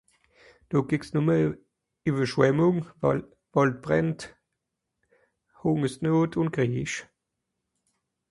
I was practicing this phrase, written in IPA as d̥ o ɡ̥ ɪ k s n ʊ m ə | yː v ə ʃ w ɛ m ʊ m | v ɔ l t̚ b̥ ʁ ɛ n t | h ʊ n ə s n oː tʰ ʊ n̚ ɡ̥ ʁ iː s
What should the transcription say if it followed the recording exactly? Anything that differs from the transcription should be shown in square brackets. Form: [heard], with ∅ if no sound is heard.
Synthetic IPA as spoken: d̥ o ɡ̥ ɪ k s n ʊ m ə | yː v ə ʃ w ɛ m ʊ [ŋ] | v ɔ l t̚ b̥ ʁ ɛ n t | h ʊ [ŋ] ə s n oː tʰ ʊ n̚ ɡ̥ ʁ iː [ʃ]